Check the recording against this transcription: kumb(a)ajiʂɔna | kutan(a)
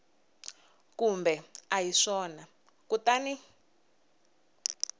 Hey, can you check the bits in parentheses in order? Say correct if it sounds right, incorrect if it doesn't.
incorrect, incorrect

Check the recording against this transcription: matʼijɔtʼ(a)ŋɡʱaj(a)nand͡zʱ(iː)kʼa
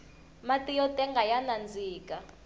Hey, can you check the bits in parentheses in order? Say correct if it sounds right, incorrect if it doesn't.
incorrect, correct, correct

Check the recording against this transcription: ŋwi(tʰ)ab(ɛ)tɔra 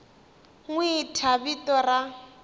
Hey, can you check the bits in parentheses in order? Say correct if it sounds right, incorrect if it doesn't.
correct, incorrect

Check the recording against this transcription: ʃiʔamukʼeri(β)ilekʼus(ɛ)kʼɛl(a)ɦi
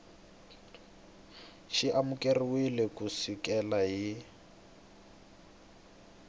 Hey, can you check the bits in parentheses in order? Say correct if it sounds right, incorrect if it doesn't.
incorrect, incorrect, correct

